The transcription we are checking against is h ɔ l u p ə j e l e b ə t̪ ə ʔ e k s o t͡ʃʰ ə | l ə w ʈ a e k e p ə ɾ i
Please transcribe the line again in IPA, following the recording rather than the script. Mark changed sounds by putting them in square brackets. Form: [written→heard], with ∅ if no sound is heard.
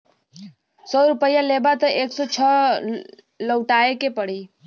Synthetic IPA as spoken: [h→s] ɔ [l→ɾ] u p ə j [e→a] l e b [ə→a] t̪ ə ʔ e k s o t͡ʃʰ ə | l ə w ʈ a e k e p ə [ɾ→ɽ] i